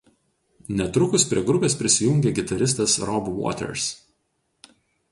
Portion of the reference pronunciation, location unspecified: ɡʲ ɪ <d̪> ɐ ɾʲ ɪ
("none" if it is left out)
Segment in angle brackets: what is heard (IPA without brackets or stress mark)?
t̪